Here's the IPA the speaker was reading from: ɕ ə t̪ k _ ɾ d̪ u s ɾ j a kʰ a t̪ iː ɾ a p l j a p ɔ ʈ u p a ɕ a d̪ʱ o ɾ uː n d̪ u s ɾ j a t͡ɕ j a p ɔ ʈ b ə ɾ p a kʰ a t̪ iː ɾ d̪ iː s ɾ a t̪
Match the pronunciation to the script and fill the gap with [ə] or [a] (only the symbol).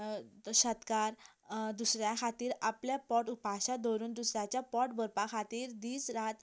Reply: a